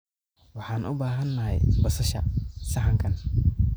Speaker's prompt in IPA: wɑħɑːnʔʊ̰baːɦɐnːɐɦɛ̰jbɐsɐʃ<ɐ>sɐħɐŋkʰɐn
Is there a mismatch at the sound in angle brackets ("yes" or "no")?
no